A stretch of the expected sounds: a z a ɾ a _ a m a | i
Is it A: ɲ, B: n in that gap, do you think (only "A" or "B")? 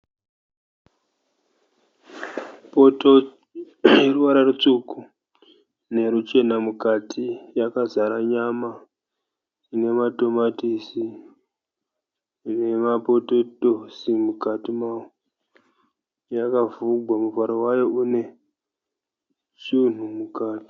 A